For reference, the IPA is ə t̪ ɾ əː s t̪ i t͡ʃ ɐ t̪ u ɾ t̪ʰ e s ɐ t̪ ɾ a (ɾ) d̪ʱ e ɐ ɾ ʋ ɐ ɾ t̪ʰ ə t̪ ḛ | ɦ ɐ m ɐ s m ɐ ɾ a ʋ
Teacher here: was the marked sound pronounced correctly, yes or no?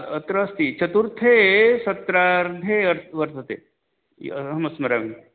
yes